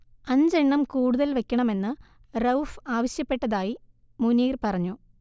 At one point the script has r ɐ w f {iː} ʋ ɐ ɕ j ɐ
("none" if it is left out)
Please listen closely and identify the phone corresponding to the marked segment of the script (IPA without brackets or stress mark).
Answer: aː